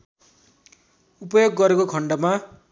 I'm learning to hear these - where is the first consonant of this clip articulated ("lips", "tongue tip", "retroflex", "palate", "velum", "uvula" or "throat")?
lips